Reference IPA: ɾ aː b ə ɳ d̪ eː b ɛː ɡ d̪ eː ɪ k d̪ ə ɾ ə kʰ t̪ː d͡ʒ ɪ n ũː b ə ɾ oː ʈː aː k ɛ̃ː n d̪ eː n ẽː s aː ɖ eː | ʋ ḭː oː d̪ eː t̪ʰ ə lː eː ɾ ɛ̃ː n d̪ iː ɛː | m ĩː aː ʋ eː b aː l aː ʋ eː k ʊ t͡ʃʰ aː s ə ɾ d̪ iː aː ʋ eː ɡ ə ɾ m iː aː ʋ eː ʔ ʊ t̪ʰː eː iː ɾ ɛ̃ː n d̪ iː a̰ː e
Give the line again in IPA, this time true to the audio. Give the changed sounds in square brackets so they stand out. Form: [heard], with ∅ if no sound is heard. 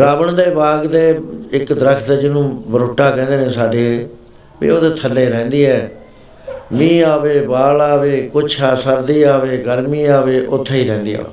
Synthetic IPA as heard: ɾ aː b ə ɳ d̪ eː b [aː] ɡ d̪ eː ɪ k d̪ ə ɾ ə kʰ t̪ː d͡ʒ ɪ n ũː b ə ɾ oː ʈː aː k ɛ̃ː n d̪ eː n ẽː s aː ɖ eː | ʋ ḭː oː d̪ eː t̪ʰ ə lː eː ɾ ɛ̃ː n d̪ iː ɛː | m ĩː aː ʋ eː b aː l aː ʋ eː k ʊ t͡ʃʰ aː s ə ɾ d̪ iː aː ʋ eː ɡ ə ɾ m iː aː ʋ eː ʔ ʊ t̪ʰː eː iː ɾ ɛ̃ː n d̪ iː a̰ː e